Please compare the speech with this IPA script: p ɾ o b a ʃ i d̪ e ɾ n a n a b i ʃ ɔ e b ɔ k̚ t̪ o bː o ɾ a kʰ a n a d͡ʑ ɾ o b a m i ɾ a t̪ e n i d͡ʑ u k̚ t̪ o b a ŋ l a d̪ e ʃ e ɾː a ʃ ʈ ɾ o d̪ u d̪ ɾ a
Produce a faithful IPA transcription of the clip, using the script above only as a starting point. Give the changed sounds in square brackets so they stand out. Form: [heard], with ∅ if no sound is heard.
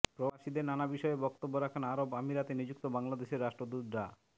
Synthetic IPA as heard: p ɾ o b a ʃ i d̪ e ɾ n a n a b i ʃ ɔ e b ɔ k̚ t̪ o bː o ɾ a kʰ a n a [∅] ɾ o b a m i ɾ a t̪ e n i d͡ʑ u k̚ t̪ o b a ŋ l a d̪ e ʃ e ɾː a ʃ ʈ ɾ o d̪ u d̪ ɾ a